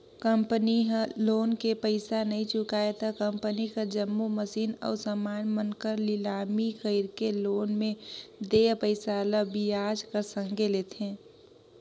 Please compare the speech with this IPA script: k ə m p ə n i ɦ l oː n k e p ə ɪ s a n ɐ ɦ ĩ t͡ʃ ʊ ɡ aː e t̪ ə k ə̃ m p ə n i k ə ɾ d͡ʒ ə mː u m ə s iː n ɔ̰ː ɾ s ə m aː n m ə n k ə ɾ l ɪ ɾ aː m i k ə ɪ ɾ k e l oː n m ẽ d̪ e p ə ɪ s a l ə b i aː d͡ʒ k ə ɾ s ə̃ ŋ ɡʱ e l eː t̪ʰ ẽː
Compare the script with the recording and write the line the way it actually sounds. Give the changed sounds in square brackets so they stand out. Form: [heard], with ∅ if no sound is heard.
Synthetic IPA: k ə m p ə n i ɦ l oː n k e p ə ɪ s a n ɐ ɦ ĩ t͡ʃ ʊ [k] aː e t̪ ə k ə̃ m p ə n i k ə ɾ d͡ʒ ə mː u m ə s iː n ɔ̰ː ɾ s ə m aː n m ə n k ə ɾ l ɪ [l] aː m i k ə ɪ ɾ k e l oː n m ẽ d̪ e p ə ɪ s a l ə b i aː d͡ʒ k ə ɾ s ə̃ ŋ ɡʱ e l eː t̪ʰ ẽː

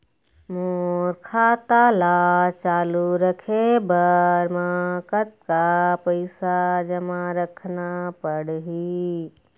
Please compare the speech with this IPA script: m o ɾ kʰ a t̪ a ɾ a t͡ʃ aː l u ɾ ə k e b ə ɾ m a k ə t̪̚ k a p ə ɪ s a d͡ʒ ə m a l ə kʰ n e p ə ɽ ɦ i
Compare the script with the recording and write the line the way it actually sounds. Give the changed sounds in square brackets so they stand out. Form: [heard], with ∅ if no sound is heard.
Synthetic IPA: m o ɾ kʰ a t̪ a [l] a t͡ʃ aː l u ɾ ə [kʰ] e b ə ɾ m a k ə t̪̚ k a p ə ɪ s a d͡ʒ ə m a [ɾ] ə kʰ n [a] p ə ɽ ɦ i

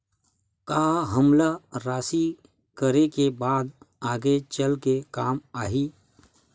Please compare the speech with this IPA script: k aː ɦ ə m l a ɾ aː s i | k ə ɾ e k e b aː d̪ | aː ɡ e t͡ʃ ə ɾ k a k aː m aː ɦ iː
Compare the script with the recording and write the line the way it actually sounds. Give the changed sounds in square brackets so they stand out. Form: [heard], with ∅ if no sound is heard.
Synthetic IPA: k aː ɦ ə m l a ɾ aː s i | k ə ɾ e k e b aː d̪ | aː ɡ e t͡ʃ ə [l] k [e] k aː m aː ɦ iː

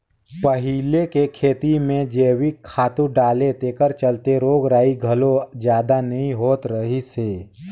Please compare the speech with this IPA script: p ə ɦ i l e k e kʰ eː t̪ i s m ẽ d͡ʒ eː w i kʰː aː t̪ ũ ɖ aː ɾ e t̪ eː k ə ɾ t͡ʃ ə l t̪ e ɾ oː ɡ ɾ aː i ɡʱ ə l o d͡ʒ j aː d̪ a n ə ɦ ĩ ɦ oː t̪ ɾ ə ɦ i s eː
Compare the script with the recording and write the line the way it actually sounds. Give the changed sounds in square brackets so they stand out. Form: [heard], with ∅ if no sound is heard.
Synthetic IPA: p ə ɦ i l e k e kʰ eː t̪ i [∅] m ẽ d͡ʒ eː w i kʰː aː t̪ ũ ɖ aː [l] e t̪ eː k ə ɾ t͡ʃ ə l t̪ e ɾ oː ɡ ɾ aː i ɡʱ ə l o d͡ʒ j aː d̪ a n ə ɦ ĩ ɦ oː t̪ ɾ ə ɦ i s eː

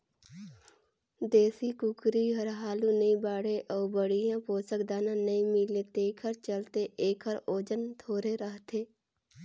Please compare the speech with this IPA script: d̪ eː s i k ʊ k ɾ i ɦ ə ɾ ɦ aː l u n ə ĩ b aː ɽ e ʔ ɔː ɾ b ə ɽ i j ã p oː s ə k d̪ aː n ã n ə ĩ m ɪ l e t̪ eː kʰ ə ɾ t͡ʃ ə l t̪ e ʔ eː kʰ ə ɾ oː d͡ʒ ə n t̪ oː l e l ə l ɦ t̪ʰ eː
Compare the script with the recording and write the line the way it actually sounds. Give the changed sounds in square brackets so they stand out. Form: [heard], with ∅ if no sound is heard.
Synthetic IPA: d̪ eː s i k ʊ k ɾ i ɦ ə ɾ ɦ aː l u n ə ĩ b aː ɽ e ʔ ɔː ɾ b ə ɽ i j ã p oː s ə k d̪ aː n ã n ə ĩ m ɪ l e t̪ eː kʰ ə ɾ t͡ʃ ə l t̪ e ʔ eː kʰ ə ɾ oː d͡ʒ ə n [t̪ʰ] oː [ɾ] e [ɾ] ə [∅] ɦ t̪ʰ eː

